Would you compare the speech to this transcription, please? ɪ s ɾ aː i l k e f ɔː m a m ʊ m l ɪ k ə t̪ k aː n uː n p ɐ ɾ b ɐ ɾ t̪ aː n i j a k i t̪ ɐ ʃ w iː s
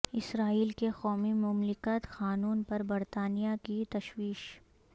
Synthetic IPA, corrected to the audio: ɪ s ɾ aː iː l k e x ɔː m i m ʊ m l ɪ k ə t̪ x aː n uː n p ɐ ɾ b ɐ ɾ t̪ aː n i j a k i t̪ ɐ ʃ w iː ʃ

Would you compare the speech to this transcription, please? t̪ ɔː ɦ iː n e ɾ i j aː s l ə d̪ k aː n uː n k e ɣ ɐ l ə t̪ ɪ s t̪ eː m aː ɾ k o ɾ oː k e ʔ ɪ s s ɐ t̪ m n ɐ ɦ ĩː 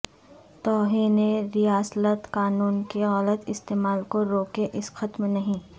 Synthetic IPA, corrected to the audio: t̪ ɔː ɦ iː n e ɾ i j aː s l ə t̪ k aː n uː n k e ɣ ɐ l ə t̪ ɪ s t̪ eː m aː l k o ɾ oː k e ʔ ɪ s x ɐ t̪ m n ɐ ɦ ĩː

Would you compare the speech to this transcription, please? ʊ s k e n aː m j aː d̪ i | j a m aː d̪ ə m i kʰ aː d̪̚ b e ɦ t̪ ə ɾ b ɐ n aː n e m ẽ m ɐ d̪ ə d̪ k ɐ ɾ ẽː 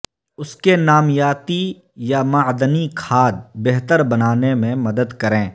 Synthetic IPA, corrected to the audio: ʊ s k e n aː m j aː t̪ i | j a m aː d̪ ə n i kʰ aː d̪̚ b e ɦ t̪ ə ɾ b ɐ n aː n e m ẽ m ɐ d̪ ə d̪ k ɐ ɾ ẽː

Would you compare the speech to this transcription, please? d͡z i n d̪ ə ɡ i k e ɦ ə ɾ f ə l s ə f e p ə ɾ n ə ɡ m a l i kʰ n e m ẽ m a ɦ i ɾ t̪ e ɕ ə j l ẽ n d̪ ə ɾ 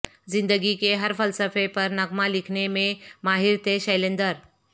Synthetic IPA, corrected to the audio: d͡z i n d̪ ə ɡ i k e ɦ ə ɾ f ə l s ə f e p ə ɾ n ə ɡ m a l i kʰ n e m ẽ m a ɦ i ɾ t̪ e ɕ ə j l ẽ n d̪ ə ɾ

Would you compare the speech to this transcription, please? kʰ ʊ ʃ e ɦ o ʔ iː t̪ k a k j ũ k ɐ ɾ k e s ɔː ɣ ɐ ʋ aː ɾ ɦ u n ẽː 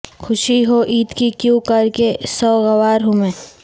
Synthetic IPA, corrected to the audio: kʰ ʊ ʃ i ɦ o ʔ iː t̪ k i k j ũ k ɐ ɾ k e s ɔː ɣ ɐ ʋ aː ɾ ɦ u m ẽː

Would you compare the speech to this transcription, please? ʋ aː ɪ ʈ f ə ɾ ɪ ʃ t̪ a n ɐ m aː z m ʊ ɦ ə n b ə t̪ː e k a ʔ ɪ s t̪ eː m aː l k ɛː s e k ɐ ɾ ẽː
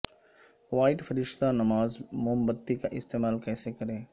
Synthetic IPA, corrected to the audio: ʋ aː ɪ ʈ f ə ɾ ɪ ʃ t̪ a n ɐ m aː z m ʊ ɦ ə m b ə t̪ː i k a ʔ ɪ s t̪ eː m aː l k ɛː s e k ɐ ɾ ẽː

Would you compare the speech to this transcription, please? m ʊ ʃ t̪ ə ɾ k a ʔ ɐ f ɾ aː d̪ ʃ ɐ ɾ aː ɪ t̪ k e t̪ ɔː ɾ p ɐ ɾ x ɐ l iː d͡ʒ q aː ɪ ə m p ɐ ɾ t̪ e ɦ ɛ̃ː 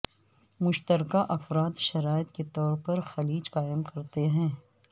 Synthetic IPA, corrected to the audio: m ʊ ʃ t̪ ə ɾ k a ʔ ɐ f ɾ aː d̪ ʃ ɐ ɾ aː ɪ t̪ k e t̪ ɔː ɾ p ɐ ɾ x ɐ l iː d͡ʒ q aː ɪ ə m k ɐ ɾ t̪ e ɦ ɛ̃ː

